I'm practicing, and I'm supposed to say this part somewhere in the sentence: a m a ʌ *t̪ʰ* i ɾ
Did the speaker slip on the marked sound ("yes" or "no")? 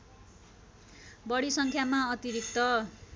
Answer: yes